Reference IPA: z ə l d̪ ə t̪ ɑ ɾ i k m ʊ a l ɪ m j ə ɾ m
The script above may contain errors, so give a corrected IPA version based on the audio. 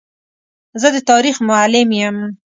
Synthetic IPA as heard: z ə d̪ ə t̪ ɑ ɾ i x m ʊ a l ɪ m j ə m